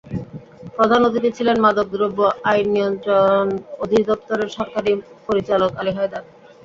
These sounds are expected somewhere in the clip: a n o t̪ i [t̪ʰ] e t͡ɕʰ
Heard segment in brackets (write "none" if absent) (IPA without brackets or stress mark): t̪